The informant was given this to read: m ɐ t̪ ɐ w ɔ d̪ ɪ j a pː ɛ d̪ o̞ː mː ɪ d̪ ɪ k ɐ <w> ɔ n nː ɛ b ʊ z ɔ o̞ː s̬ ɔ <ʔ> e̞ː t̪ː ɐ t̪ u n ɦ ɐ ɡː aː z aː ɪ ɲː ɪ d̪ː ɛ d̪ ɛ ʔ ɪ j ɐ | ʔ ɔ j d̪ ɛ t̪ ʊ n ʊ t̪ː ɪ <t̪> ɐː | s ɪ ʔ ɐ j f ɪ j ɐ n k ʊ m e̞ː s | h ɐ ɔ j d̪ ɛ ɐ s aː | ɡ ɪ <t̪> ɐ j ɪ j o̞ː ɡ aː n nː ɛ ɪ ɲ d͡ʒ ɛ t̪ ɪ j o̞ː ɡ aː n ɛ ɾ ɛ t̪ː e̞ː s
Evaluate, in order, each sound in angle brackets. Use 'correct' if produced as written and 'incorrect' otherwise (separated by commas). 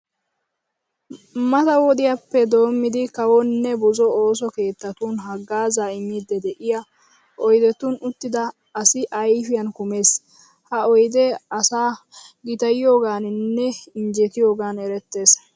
correct, incorrect, incorrect, correct